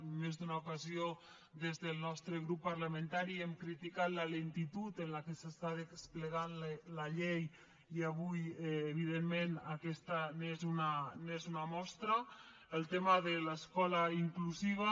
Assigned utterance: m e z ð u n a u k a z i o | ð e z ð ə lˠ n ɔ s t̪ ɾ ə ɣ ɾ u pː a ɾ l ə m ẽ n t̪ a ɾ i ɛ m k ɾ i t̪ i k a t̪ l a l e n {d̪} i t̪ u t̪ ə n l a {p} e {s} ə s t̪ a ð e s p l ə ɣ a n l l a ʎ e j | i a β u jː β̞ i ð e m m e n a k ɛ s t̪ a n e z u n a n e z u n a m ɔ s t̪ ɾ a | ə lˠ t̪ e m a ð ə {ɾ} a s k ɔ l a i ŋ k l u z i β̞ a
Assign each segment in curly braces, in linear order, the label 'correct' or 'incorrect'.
incorrect: t̪, incorrect: k, correct, incorrect: l

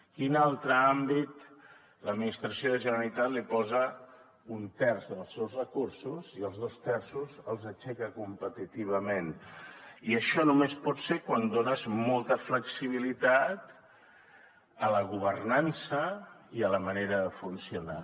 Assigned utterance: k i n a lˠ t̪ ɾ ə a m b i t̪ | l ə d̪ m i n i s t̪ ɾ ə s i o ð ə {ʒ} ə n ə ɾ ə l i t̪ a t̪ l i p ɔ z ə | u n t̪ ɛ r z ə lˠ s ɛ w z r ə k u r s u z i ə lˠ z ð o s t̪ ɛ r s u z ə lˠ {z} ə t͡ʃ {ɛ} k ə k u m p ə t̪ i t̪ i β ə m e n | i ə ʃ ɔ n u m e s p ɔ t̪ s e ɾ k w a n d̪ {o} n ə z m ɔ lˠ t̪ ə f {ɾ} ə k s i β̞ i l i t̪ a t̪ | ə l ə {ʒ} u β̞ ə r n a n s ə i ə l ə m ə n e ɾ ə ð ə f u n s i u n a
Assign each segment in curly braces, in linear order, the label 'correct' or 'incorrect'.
correct, correct, correct, correct, incorrect: l, incorrect: ɣ

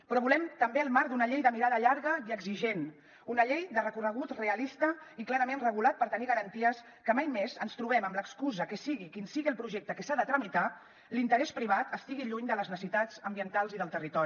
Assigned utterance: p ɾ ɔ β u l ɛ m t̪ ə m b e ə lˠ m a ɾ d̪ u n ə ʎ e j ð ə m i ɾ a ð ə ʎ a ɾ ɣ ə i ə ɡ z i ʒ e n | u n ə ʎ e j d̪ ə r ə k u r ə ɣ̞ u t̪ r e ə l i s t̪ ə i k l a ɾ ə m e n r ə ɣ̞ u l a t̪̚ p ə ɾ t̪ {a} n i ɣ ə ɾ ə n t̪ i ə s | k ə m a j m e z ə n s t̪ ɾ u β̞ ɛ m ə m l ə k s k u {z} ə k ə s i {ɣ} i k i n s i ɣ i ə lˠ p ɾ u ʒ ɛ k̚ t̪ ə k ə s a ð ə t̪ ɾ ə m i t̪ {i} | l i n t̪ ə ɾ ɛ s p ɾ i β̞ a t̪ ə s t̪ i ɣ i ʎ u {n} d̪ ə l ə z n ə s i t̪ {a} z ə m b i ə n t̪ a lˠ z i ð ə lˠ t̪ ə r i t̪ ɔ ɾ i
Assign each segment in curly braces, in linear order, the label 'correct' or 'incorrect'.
incorrect: ə, correct, correct, incorrect: a, incorrect: ɲ, correct

